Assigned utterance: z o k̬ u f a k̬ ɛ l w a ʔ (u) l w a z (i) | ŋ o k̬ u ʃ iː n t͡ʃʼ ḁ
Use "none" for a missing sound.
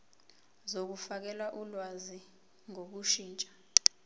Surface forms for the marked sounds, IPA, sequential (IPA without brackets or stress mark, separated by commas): u, i